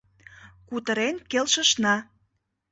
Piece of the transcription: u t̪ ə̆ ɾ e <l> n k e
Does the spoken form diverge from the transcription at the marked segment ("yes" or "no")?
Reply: yes